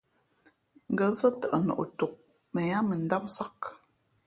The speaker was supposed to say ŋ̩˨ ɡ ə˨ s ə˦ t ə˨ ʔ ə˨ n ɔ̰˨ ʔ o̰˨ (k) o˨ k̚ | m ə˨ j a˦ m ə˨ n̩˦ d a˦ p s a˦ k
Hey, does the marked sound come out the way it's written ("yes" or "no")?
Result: no